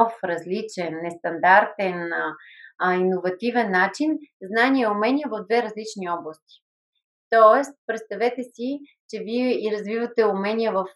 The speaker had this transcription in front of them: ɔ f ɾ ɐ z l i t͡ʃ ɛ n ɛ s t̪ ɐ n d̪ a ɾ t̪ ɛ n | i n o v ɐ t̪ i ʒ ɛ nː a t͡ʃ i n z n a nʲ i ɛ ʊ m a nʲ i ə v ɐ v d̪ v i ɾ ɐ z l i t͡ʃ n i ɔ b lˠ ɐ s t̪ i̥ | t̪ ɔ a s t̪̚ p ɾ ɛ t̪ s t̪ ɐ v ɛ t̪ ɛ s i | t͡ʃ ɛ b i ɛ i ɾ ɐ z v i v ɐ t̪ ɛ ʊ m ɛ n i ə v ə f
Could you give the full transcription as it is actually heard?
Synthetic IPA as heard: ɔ f ɾ ɐ z l i t͡ʃ ɛ nː ɛ s t̪ ɐ n d̪ a ɾ t̪ ɛ n | i n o v ɐ t̪ i v ɛ nː a t͡ʃ i n z n a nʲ i ɛ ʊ m ɛ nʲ i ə v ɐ v d̪ v ɛ ɾ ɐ z l i t͡ʃ n i ɔ b lˠ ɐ s t̪ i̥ | t̪ ɔ ɛ s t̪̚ p ɾ ɛ t̪ s t̪ ɐ v ɛ t̪ ɛ s i | t͡ʃ ɛ v i ɛ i ɾ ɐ z v i v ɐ t̪ ɛ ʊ m ɛ n i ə v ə f